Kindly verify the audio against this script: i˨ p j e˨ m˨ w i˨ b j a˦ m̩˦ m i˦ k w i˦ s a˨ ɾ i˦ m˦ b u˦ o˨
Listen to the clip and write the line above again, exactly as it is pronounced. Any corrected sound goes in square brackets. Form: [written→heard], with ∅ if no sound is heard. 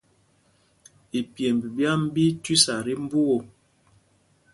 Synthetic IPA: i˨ p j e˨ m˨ [w→b] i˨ b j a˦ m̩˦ [m→b] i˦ [k→t] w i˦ s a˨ ɾ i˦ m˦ b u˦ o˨